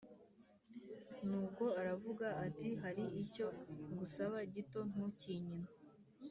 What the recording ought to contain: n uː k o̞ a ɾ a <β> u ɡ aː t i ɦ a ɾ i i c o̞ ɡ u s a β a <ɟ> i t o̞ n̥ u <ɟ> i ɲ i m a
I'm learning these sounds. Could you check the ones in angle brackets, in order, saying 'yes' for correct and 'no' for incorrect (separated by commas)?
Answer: no, yes, no